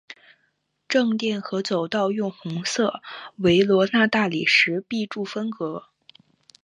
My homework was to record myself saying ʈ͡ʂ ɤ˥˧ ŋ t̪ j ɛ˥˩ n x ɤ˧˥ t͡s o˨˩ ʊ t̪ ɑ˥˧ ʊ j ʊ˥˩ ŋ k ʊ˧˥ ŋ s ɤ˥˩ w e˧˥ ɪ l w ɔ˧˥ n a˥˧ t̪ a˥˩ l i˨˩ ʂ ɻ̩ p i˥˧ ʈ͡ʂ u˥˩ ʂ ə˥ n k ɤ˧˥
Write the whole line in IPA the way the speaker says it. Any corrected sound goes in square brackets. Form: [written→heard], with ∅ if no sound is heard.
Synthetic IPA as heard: ʈ͡ʂ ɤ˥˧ ŋ t̪ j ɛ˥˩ n x ɤ˧˥ t͡s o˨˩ ʊ t̪ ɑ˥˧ ʊ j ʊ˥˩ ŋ [k→x] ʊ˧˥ ŋ s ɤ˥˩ w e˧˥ ɪ l w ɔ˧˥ n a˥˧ t̪ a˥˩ l i˨˩ ʂ ɻ̩ p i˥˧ ʈ͡ʂ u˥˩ [ʂ→f] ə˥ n k ɤ˧˥